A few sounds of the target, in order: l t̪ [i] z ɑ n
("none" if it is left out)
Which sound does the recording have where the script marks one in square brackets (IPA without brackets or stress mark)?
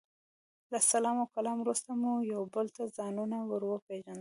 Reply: a